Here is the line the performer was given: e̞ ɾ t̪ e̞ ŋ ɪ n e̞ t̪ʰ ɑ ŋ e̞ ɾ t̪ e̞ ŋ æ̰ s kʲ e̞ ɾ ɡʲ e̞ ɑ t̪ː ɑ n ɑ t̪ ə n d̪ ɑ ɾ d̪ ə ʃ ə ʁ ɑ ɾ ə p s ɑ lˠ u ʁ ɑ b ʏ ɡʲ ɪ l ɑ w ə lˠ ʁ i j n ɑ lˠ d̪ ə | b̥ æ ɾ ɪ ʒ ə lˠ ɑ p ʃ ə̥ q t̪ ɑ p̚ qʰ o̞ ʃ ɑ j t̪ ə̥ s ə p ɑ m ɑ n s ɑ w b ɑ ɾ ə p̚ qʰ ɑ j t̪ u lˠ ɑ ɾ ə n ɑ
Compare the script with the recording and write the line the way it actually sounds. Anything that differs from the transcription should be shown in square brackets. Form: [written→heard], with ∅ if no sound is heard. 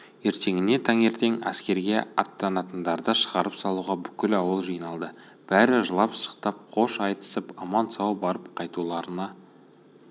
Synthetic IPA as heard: e̞ ɾ t̪ e̞ ŋ ɪ n e̞ t̪ʰ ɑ ŋ e̞ ɾ t̪ e̞ ŋ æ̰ s kʲ e̞ ɾ ɡʲ e̞ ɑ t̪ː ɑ n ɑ t̪ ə n d̪ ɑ ɾ d̪ ə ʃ ə ʁ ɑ ɾ ə p s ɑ lˠ u ʁ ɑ b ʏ [ɡʲ→kʲ] ɪ l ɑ w ə lˠ [ʁ→ʒ] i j n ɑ lˠ d̪ ə | b̥ æ ɾ ɪ ʒ ə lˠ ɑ p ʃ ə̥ q t̪ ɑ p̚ qʰ o̞ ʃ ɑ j t̪ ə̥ s ə p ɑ m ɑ n s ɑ w b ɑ ɾ ə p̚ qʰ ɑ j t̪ u lˠ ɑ ɾ ə n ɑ